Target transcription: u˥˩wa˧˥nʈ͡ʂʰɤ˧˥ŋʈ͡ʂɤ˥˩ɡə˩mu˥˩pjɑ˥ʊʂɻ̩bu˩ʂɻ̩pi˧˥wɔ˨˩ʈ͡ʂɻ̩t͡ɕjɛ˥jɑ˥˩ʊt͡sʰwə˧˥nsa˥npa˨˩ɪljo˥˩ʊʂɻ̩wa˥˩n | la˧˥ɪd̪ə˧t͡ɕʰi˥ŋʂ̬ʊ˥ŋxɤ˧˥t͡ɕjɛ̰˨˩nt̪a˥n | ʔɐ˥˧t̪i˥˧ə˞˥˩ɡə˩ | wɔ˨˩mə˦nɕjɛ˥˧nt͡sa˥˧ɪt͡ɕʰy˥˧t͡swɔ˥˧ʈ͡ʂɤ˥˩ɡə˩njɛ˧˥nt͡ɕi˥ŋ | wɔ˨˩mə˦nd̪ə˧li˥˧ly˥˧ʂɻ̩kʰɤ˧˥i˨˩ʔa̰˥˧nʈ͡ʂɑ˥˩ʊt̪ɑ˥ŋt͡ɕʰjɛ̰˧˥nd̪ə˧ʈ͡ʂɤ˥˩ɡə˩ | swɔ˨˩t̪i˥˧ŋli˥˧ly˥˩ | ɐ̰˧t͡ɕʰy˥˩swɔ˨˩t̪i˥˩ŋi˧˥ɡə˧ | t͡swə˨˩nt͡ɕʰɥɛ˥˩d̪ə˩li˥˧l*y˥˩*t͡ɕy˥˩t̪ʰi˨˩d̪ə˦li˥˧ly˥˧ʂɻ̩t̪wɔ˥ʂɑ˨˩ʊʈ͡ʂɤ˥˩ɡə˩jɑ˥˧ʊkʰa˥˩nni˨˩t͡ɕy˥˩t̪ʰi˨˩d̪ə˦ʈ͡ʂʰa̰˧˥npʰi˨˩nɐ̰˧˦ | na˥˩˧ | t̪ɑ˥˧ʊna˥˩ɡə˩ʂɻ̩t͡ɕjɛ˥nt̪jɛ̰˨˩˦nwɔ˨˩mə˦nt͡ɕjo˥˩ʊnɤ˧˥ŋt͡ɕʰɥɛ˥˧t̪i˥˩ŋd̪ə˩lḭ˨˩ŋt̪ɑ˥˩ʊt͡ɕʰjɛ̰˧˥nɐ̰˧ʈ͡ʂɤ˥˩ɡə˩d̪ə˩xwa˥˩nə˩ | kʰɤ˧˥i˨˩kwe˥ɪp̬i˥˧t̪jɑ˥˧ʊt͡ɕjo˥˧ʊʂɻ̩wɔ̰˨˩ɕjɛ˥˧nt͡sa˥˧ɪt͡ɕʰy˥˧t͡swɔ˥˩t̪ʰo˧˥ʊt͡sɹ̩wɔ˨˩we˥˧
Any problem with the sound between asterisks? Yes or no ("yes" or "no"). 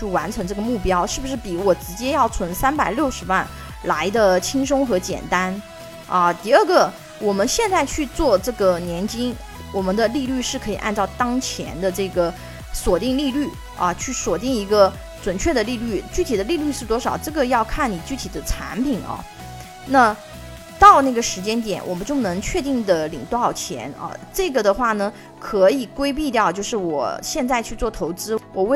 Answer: no